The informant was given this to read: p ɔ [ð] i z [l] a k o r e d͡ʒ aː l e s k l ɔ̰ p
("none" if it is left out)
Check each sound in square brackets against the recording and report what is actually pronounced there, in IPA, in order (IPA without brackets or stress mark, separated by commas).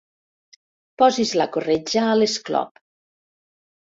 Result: z, l